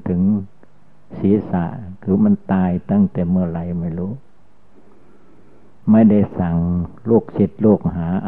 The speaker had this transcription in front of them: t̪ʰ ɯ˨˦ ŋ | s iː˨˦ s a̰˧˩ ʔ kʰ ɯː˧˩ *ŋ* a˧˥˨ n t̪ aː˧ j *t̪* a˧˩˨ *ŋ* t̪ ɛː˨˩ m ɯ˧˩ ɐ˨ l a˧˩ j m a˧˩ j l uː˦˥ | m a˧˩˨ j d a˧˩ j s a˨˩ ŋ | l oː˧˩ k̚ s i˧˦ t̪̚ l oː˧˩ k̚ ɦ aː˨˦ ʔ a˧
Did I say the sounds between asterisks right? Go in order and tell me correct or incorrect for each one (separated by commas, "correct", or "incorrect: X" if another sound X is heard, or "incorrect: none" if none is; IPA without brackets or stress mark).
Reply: incorrect: m, correct, correct